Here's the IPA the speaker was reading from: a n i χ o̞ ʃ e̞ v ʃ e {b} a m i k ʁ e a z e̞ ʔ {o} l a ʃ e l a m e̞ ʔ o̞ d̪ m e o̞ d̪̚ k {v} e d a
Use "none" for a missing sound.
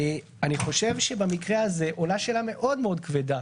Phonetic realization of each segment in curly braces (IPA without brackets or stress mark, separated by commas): b, o, v